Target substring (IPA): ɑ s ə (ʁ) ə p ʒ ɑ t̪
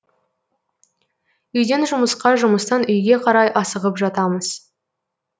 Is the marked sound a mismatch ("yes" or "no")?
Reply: no